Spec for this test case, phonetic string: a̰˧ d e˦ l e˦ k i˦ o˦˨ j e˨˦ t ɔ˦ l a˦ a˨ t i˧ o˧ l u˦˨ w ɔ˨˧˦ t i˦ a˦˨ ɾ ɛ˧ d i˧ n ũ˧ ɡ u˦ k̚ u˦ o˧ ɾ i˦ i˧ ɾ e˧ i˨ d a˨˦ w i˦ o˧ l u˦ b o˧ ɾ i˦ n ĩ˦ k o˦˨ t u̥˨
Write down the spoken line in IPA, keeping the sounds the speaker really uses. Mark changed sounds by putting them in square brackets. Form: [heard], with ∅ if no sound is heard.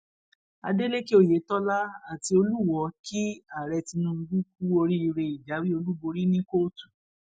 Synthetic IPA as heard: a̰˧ d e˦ l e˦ k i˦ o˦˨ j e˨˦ t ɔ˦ l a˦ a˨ t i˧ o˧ l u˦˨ w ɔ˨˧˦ [k] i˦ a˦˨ ɾ ɛ˧ [t] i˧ n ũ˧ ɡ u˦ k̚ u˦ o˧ ɾ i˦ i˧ ɾ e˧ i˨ [d͡ʒ] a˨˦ w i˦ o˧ l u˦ b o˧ ɾ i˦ n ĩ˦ k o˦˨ t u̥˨